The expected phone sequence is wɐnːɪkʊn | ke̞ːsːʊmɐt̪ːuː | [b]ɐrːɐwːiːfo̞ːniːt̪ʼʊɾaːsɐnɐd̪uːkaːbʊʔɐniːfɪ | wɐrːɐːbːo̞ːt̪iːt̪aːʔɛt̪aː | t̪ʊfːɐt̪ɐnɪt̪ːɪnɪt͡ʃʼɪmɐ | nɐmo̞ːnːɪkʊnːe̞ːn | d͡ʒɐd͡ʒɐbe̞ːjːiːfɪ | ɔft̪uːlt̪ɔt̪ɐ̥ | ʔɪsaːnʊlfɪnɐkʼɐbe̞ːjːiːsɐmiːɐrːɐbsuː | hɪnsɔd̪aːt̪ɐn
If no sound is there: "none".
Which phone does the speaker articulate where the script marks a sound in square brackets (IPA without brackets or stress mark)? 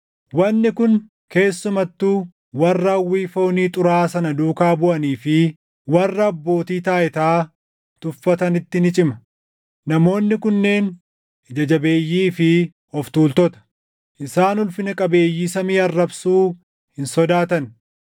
w